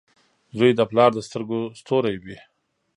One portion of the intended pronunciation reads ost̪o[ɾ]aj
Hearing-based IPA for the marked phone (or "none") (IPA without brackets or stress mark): ɾ